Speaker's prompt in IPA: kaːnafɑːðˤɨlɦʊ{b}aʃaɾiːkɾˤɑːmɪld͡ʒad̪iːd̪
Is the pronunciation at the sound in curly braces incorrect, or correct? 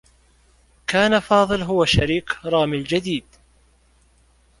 incorrect